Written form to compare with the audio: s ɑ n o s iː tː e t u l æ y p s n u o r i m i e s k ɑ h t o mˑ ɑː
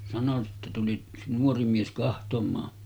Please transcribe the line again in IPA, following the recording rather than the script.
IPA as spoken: s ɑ n o s i tː e t u l i y k s n u o r i m i e s k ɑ h t o mˑ ɑː

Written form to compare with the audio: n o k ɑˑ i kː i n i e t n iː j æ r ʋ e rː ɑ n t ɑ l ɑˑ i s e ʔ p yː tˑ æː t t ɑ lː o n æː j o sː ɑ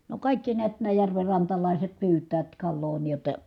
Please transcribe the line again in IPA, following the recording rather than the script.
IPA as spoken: n o k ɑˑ i kː i n i æ t n æː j æ r ʋ e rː ɑ n t ɑ l ɑˑ i s e t p yː tˑ æː t k ɑ lː oː n iː j o tː ɑ

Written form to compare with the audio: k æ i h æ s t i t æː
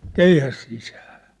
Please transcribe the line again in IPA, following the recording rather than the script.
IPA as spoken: k e i h æ s s i s æː

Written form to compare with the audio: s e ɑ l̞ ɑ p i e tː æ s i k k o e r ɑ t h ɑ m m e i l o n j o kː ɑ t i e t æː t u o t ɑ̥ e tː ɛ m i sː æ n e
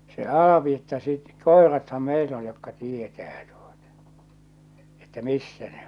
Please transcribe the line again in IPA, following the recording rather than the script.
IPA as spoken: s e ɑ l̞ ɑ p i e tː æ s i t k o e r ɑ t h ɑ m m e i l o n j o kː ɑ t i e t æː t u o t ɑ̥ e tː æ m i sː æ n e

